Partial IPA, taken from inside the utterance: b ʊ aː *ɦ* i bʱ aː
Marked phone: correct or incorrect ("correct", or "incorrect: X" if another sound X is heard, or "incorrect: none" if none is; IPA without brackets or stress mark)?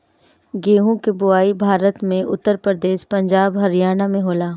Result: incorrect: none